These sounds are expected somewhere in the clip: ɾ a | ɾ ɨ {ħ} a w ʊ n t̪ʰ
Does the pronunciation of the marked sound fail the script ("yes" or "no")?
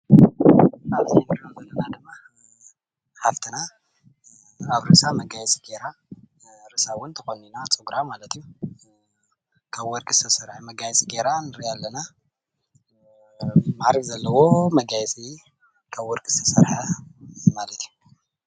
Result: yes